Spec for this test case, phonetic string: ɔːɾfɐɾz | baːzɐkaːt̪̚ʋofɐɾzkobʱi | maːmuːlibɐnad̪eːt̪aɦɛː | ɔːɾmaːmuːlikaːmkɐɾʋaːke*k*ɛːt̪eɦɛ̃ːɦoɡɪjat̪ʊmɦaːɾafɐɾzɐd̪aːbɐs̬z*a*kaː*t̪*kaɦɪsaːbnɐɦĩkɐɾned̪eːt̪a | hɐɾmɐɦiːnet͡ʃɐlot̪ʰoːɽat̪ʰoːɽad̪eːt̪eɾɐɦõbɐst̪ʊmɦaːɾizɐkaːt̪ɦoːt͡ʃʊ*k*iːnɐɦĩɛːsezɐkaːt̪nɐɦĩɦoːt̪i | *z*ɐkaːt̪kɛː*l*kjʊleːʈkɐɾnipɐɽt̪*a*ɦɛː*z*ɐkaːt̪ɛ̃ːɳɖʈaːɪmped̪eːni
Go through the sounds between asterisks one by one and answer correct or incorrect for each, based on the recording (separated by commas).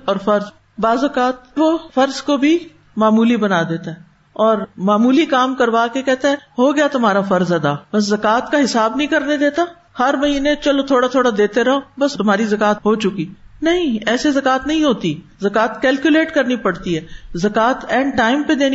correct, incorrect, correct, correct, correct, correct, incorrect, correct